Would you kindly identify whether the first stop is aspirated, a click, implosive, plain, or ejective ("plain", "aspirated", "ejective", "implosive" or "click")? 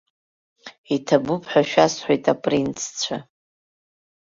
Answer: aspirated